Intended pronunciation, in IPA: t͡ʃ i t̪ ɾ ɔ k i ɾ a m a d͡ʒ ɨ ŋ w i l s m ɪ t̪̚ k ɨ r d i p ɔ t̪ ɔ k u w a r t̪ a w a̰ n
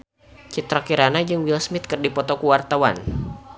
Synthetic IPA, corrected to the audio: t͡ʃ i t̪ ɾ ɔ k i ɾ a n a d͡ʒ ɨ ŋ w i l s m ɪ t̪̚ k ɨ r d i p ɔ t̪ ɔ k u w a r t̪ a w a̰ n